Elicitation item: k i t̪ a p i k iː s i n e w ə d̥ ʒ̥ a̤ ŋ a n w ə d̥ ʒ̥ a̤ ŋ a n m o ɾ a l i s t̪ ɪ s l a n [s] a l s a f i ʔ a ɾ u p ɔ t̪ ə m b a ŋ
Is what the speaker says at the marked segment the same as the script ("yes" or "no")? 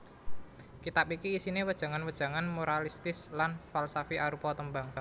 no